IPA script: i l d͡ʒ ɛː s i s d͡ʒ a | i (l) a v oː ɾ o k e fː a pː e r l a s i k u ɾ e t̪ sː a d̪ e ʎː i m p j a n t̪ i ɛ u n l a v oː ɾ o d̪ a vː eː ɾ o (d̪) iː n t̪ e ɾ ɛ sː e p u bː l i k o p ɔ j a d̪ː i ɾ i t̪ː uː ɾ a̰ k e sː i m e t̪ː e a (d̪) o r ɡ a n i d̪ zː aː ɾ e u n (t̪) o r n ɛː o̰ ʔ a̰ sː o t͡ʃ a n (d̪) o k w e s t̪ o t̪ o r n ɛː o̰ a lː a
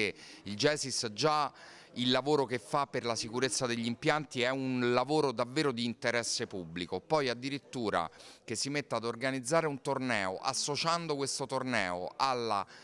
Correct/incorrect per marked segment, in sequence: incorrect: lː, correct, correct, correct, correct

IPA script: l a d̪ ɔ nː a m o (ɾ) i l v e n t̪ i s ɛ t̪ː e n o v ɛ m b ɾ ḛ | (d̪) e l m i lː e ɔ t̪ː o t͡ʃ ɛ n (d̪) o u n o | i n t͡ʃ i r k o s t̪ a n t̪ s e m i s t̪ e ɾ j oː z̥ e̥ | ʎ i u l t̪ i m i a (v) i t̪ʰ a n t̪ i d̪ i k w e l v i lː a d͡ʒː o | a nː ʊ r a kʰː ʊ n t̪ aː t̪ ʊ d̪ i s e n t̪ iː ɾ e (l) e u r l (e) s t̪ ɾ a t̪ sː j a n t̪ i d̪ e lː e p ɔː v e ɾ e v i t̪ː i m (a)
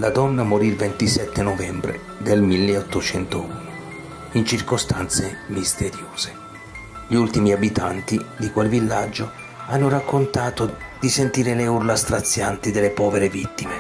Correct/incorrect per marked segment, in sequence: correct, correct, incorrect: t̪, incorrect: b, correct, incorrect: a, incorrect: e

